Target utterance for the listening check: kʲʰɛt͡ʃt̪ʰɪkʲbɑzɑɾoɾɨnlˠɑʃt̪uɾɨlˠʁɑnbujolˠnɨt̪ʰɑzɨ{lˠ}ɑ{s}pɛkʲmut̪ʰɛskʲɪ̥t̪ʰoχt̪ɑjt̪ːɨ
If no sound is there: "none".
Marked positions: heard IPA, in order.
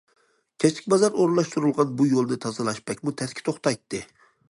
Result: lˠ, ʃ

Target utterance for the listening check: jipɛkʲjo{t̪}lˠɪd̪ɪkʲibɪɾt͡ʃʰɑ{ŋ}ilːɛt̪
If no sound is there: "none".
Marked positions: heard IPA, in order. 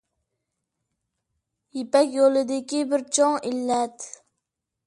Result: none, ŋ

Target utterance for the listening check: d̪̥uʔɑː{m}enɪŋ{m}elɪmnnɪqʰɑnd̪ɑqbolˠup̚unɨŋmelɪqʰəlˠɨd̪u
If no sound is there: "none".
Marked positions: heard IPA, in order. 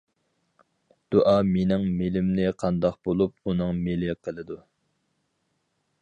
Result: m, m

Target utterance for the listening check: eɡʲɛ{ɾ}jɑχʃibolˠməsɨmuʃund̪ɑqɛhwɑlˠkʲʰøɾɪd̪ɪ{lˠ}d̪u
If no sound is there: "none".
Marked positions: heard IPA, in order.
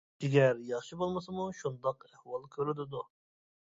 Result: ɾ, none

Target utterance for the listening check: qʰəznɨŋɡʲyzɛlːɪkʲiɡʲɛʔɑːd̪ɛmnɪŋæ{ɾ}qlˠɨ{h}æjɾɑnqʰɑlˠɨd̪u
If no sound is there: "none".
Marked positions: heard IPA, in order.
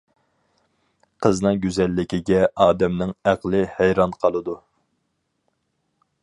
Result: none, h

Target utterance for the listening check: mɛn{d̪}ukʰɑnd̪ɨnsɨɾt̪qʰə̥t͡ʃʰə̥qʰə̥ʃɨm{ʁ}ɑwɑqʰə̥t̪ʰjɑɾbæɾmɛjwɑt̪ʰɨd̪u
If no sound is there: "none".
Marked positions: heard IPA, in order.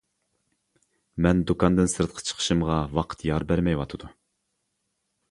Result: d̪, ʁ

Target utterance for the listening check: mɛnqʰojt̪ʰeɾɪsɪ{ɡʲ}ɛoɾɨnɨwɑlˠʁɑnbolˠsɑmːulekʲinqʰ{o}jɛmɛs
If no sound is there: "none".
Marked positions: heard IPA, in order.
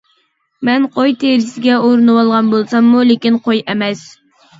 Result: ɡʲ, o

